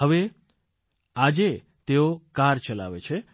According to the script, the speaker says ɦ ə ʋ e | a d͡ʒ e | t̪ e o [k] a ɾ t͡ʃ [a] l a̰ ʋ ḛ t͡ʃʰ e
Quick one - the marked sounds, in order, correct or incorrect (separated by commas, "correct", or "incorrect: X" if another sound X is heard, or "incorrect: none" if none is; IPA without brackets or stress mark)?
correct, incorrect: ə